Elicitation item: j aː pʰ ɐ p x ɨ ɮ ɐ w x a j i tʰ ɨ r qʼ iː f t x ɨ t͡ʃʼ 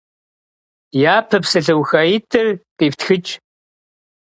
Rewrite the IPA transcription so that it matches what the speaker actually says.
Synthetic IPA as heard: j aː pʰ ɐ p s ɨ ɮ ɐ w x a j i tʰ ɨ r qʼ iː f t x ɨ t͡ʃʼ